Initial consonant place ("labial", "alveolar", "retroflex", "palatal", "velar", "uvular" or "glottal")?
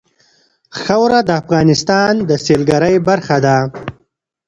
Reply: velar